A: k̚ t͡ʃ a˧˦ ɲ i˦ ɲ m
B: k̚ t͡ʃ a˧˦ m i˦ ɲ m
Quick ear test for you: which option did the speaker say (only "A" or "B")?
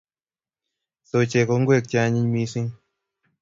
A